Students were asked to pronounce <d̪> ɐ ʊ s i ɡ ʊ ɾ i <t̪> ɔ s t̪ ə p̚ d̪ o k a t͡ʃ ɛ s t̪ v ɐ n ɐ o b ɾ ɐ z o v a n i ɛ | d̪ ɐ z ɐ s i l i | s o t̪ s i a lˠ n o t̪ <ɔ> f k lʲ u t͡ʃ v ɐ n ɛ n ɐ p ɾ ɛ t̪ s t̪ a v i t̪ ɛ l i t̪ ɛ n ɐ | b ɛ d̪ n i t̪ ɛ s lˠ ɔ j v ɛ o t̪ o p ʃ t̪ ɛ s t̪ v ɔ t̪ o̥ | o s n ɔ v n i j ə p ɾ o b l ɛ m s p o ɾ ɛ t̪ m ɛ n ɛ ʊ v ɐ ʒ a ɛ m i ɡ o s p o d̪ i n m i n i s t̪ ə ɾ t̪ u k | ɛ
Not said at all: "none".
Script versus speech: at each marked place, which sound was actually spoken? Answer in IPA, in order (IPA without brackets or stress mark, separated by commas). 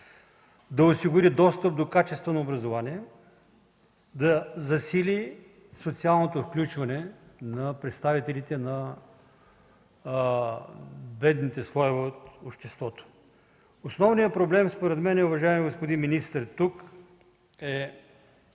d̪, d̪, o